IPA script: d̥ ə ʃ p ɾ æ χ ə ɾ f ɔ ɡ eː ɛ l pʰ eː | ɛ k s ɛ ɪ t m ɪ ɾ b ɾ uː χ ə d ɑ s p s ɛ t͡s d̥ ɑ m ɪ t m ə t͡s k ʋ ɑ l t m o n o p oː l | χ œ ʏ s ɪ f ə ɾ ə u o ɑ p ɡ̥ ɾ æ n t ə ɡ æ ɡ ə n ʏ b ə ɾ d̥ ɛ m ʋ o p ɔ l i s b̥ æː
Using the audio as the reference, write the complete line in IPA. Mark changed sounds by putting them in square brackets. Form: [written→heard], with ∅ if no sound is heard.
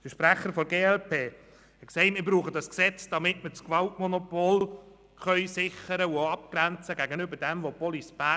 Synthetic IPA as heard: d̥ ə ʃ p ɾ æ χ ə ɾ f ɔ ɡ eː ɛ l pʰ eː | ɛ k s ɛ ɪ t m ɪ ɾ b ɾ uː χ ə d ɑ s [p→k] s ɛ t͡s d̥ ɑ m ɪ t m ə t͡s k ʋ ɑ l t m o n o p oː l | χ œ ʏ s ɪ [f→χ] ə ɾ ə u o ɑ p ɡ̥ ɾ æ n [t→t͡s] ə ɡ æ ɡ ə n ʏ b ə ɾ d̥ ɛ m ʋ o p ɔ l i s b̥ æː